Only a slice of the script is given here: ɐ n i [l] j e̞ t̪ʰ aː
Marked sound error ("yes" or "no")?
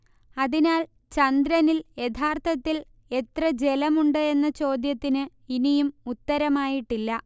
no